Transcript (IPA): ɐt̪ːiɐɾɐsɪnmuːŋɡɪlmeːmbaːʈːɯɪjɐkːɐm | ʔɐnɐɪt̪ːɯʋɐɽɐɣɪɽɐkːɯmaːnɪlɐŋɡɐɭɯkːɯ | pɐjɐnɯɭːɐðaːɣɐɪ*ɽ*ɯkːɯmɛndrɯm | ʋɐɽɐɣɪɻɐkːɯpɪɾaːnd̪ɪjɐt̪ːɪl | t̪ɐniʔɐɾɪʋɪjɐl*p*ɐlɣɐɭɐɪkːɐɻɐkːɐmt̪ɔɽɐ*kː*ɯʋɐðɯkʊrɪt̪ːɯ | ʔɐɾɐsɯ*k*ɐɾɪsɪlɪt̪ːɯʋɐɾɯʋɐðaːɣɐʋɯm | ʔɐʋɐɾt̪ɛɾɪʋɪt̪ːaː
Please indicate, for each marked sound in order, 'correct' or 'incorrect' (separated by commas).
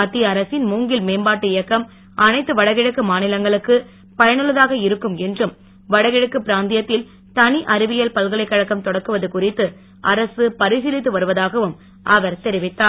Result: incorrect, correct, correct, incorrect